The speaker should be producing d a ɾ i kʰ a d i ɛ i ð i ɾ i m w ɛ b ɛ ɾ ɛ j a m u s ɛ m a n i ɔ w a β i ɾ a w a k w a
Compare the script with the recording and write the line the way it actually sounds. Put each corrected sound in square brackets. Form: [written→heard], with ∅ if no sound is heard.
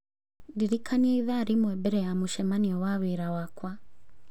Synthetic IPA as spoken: d [a→i] ɾ i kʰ a [d→n] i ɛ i ð [i→a] ɾ i m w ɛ b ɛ ɾ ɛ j a m u [s→ʃ] ɛ m a n i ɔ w a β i ɾ a w a k w a